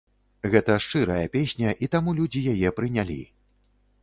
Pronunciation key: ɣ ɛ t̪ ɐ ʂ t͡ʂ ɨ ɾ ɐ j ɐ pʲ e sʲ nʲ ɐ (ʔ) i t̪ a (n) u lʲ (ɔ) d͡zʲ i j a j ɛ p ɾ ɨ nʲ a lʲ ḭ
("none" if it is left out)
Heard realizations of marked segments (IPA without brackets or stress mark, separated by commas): ʔ, m, u